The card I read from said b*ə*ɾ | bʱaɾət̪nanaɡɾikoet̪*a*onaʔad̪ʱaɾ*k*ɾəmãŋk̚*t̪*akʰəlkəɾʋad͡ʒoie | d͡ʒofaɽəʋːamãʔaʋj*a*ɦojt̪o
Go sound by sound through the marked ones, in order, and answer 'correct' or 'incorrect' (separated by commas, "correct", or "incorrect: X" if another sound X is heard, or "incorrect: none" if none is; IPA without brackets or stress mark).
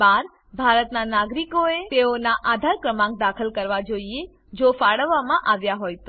incorrect: a, incorrect: e, correct, incorrect: d̪, correct